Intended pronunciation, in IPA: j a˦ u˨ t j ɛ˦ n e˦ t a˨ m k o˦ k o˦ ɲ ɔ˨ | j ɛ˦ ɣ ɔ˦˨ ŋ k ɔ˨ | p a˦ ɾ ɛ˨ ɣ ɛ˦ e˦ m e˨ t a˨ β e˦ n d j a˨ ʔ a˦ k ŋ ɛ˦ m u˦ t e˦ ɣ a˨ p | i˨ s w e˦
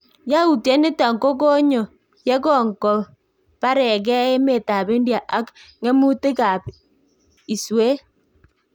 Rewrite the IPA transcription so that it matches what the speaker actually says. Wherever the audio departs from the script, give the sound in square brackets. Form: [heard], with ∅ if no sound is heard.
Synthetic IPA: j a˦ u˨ t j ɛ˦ n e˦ t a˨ [ŋ] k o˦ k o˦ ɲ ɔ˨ | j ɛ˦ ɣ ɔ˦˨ ŋ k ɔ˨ | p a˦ ɾ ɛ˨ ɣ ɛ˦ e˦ m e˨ t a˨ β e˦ n d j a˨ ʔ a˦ k ŋ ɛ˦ m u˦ t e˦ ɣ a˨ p | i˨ s w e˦